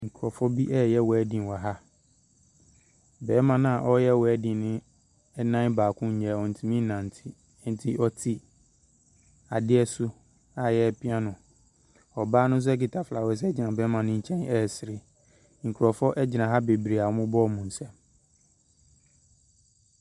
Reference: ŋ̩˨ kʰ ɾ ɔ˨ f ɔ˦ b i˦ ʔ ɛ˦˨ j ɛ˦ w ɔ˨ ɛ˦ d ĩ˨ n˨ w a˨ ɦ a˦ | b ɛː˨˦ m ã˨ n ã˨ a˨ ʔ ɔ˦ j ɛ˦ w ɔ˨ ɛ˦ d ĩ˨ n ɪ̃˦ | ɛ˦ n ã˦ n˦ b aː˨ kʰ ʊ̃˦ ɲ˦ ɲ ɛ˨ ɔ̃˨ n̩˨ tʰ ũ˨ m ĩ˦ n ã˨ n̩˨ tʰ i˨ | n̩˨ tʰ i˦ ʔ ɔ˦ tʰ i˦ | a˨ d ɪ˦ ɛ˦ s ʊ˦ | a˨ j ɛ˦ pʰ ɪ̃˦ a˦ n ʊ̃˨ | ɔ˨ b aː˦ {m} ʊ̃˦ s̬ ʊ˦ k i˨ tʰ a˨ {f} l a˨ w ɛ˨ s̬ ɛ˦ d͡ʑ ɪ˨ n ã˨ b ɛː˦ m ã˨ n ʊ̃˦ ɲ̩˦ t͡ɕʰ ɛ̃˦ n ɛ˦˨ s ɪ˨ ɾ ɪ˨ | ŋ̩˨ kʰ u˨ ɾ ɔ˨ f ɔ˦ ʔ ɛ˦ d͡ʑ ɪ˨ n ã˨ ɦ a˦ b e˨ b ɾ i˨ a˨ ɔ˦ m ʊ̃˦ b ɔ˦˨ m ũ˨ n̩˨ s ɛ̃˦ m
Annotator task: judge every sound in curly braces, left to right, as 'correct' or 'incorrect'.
incorrect: n, correct

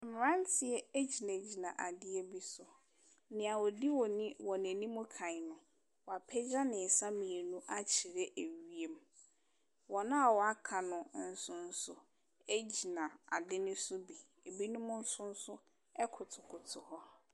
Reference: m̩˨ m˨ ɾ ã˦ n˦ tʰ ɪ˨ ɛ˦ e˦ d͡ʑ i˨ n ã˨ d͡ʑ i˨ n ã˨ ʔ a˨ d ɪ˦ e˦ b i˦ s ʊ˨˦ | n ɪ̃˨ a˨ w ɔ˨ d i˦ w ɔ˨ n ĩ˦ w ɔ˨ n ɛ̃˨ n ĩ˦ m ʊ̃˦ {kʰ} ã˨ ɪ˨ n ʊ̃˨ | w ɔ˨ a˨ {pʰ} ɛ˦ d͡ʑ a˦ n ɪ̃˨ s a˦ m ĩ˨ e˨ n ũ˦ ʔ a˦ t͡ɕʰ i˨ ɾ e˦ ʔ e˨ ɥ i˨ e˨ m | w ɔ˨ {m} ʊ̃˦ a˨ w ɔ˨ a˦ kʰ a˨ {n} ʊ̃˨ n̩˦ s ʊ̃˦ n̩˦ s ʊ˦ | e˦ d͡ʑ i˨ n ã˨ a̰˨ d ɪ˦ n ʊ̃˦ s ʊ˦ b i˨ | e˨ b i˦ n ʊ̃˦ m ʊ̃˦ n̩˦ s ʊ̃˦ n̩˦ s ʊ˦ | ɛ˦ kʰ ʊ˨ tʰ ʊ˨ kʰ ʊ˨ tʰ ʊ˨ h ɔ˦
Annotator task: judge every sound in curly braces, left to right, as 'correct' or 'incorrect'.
correct, correct, incorrect: n, correct

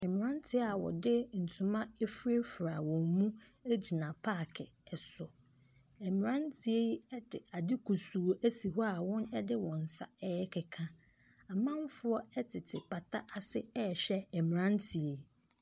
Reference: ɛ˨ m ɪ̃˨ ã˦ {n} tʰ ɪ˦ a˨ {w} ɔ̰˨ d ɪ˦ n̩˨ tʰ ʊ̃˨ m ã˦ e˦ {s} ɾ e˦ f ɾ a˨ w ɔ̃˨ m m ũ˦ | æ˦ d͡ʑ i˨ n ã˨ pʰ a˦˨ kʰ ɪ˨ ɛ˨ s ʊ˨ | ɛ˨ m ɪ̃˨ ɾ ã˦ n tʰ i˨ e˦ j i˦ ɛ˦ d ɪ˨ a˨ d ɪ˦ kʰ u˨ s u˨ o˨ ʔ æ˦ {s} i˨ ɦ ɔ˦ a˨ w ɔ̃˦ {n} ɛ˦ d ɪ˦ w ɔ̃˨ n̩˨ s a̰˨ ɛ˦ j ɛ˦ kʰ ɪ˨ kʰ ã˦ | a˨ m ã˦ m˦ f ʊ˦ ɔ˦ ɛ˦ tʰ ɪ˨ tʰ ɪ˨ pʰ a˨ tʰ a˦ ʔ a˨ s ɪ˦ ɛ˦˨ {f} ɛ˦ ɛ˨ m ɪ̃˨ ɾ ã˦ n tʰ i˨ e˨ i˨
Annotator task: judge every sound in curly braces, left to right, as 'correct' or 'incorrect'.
correct, correct, incorrect: f, correct, correct, incorrect: ɕ

